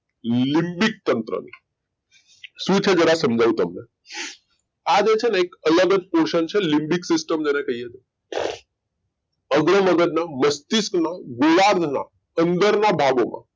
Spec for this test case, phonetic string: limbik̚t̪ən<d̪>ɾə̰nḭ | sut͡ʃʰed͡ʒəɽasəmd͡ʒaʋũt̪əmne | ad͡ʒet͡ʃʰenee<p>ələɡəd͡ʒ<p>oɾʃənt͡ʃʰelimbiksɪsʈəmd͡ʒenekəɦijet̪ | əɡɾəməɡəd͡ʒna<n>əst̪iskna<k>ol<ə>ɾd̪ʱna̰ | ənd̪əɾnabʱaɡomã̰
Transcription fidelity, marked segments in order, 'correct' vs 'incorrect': incorrect, incorrect, correct, incorrect, incorrect, incorrect

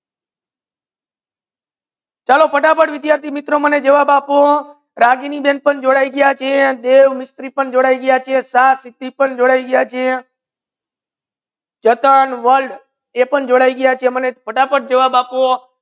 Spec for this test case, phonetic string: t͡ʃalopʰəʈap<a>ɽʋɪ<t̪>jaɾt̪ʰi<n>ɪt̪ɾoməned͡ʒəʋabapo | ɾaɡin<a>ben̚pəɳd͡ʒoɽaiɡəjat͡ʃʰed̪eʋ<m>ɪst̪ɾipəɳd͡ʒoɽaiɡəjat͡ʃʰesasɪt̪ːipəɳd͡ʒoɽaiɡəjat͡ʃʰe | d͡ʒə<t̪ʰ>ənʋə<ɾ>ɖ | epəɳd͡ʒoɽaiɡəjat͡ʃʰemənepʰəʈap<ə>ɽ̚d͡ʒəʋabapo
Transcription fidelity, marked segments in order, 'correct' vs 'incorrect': incorrect, incorrect, incorrect, incorrect, correct, incorrect, incorrect, correct

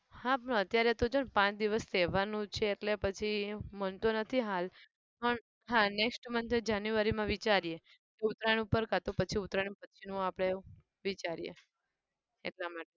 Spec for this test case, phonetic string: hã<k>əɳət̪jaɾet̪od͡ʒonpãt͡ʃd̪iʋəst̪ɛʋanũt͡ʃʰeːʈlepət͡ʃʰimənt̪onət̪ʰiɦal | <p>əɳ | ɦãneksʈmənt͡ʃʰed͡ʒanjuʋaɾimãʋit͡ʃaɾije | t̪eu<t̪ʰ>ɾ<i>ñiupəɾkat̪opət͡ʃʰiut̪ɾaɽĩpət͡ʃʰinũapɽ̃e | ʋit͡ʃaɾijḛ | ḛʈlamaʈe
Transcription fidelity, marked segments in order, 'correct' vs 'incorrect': incorrect, correct, incorrect, incorrect

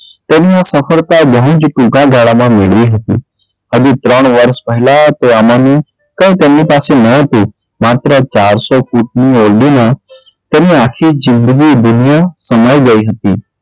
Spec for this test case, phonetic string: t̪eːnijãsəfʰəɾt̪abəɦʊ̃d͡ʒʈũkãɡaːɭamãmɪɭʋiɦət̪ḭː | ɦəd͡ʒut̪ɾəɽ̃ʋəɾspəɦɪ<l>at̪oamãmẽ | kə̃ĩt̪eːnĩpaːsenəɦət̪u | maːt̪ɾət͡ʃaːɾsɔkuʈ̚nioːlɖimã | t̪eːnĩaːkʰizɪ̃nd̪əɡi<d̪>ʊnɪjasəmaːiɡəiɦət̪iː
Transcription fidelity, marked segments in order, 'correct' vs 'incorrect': correct, correct

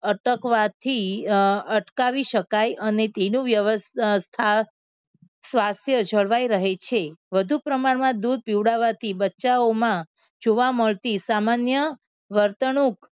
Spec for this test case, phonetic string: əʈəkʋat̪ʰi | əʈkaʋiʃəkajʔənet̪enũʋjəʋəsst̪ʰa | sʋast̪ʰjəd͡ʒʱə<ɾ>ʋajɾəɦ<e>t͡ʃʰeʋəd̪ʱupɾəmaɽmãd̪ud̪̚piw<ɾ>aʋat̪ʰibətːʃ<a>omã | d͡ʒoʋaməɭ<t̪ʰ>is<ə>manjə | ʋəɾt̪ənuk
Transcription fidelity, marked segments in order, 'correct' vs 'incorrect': incorrect, correct, incorrect, correct, incorrect, incorrect

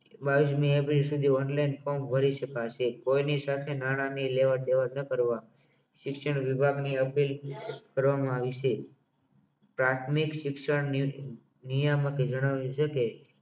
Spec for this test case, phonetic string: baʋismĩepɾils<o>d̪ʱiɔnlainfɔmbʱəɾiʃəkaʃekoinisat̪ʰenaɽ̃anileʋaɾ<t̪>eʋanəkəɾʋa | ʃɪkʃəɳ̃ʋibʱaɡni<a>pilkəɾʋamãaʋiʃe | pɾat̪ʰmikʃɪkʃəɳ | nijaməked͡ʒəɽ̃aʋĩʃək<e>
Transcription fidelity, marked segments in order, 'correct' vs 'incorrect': incorrect, incorrect, incorrect, correct

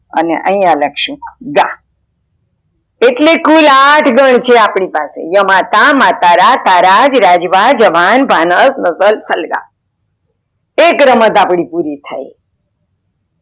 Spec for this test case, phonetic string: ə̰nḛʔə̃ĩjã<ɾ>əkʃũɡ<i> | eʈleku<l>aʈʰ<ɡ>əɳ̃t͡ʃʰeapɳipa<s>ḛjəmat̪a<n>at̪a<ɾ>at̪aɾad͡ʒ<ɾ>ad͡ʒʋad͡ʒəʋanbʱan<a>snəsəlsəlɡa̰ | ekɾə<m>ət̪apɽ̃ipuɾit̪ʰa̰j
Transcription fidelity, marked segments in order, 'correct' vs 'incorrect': incorrect, incorrect, correct, correct, correct, incorrect, correct, correct, incorrect, correct

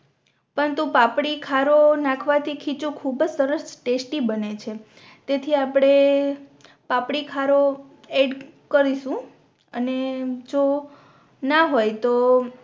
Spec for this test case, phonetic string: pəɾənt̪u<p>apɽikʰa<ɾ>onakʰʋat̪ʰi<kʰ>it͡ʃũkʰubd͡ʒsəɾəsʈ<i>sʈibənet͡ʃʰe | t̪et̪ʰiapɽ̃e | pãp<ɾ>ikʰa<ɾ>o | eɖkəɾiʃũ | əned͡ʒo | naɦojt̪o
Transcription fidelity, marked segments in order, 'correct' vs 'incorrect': correct, correct, correct, incorrect, incorrect, correct

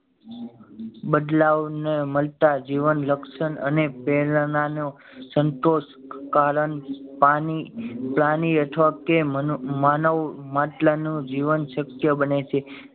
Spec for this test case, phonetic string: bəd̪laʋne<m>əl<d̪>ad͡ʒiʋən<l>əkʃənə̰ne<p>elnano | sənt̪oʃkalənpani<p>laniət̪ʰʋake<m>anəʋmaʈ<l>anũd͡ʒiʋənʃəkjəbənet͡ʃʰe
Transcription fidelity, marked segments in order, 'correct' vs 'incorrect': correct, incorrect, correct, correct, correct, correct, correct

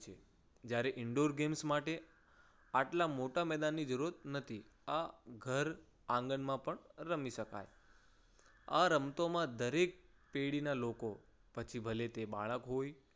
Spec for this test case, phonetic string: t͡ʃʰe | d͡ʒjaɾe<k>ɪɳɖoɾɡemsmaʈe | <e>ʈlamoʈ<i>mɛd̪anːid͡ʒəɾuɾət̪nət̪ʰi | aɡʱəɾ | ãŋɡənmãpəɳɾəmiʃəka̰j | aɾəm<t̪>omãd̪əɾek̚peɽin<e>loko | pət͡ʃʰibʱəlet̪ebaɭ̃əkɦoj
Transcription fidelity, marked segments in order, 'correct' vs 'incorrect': incorrect, incorrect, incorrect, correct, incorrect

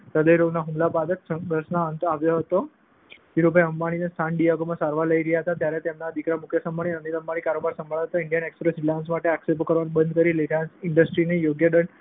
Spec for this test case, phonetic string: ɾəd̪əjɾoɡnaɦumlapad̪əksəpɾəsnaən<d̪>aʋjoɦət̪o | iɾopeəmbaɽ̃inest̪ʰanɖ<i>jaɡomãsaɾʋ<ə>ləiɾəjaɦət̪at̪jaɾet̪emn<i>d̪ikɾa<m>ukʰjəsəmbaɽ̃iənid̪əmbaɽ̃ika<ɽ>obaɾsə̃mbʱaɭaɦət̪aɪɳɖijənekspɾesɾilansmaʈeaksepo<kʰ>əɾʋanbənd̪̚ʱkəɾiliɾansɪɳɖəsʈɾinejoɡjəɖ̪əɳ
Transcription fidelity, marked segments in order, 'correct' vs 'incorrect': incorrect, correct, incorrect, incorrect, correct, incorrect, incorrect

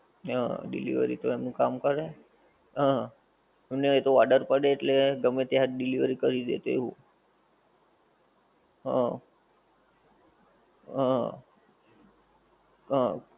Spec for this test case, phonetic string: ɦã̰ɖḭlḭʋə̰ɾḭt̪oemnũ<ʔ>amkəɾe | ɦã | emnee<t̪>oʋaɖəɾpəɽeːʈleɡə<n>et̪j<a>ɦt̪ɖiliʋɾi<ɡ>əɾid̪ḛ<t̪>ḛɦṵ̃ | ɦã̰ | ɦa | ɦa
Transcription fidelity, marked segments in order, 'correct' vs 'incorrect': incorrect, correct, incorrect, correct, incorrect, correct

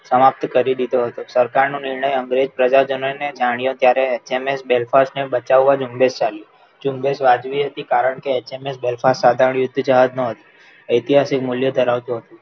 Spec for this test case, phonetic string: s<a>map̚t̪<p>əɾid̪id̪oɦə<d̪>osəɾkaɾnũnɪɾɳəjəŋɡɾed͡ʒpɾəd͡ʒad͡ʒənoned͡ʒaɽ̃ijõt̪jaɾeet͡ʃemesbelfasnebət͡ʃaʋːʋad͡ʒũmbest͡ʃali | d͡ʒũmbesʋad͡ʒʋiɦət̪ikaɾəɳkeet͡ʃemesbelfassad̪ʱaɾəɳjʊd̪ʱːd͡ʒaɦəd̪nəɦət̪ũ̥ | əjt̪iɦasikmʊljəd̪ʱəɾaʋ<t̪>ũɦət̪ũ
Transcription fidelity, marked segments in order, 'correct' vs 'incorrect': incorrect, incorrect, incorrect, correct

